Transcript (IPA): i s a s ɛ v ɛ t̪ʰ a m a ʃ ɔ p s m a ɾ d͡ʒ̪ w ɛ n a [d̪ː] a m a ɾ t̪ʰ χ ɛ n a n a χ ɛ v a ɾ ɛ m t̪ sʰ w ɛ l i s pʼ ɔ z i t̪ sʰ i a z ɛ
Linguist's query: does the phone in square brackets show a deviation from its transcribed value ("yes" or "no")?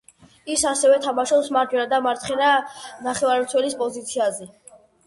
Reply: yes